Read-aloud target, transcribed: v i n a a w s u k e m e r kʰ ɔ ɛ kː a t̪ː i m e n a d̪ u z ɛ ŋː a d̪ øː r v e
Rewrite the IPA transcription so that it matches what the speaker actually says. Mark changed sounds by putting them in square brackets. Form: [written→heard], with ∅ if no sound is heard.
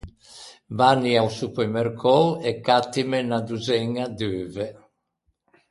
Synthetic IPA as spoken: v [i→a] n [a→i] a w s u [k→p] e m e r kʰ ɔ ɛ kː a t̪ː i m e n a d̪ u z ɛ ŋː a d̪ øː [r→∅] v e

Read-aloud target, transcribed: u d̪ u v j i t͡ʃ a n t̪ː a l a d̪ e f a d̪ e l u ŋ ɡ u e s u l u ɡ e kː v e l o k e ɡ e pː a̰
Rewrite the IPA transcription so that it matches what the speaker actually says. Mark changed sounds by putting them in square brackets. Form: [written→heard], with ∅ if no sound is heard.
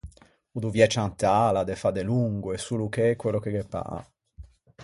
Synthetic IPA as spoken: u d̪ u v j [i→ɛ] t͡ʃ a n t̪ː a l a d̪ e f a d̪ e l u ŋ ɡ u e s u l u [ɡ→k] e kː [v→w] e l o k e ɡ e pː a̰

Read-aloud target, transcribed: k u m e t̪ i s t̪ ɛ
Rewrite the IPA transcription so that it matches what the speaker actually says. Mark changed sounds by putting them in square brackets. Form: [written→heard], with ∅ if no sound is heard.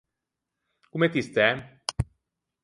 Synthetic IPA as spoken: k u m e t̪ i s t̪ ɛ

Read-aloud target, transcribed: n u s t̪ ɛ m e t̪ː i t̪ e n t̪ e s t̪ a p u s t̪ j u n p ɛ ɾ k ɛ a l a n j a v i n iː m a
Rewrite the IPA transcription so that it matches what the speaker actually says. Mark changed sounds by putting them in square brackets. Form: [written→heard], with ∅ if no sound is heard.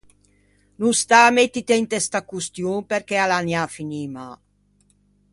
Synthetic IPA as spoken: n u s t̪ [ɛ→a] m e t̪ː i t̪ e n t̪ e s t̪ a [p→k] u s t̪ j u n p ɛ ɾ k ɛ a l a n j a [v→f] i n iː m a

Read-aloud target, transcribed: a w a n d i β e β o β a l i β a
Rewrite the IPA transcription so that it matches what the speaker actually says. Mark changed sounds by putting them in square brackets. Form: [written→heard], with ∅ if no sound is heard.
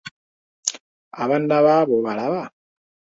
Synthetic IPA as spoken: a [w→β] a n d [i→a] β [e→a] β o β a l [i→a] β a

